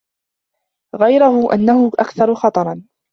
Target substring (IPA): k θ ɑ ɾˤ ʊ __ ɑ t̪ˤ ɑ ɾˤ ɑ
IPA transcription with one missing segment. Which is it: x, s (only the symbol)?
x